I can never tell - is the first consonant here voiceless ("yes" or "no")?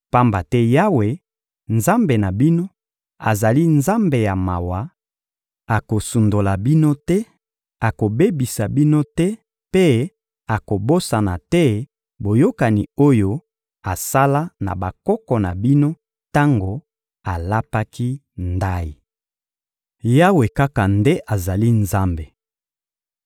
yes